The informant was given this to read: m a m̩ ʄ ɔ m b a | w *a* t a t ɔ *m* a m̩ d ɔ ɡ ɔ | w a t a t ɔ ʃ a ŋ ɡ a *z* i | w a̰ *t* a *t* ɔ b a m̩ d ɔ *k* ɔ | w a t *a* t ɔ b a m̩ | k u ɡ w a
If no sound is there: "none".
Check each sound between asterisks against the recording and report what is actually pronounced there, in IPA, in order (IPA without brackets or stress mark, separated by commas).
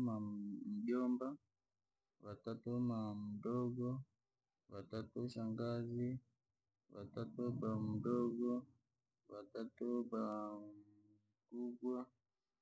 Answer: a, m, z, t, t, ɡ, a